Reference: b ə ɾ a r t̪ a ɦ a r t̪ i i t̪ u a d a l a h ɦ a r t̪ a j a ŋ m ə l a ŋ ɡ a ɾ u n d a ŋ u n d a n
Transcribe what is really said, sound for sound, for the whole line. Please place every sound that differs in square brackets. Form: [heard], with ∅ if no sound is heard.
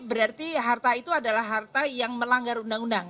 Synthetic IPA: b ə ɾ a r t̪ [i] ɦ a r t̪ [a] i t̪ u a d a l a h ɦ a r t̪ a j a ŋ m ə l a ŋ ɡ a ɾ u n d a ŋ u n d a [ŋ]